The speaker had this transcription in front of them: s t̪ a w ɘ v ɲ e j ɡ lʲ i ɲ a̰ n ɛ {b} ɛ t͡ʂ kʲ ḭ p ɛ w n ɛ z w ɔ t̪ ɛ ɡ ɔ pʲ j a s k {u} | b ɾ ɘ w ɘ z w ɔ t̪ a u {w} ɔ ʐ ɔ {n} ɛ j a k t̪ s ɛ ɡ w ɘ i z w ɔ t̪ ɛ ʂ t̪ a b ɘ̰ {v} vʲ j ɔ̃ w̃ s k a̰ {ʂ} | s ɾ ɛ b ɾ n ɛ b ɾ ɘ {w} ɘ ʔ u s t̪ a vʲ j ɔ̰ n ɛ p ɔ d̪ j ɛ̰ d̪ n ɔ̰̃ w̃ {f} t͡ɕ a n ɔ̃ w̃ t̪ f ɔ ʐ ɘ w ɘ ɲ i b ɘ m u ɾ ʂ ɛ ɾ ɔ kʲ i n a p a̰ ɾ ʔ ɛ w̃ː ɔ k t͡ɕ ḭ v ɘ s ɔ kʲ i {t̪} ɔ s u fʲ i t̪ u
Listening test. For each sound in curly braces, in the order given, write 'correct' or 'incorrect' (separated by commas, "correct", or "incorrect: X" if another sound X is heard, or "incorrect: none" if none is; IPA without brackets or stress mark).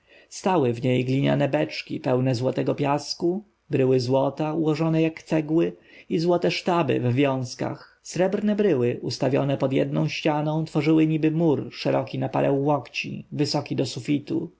correct, correct, correct, correct, correct, incorrect: x, correct, incorrect: ɕ, incorrect: d̪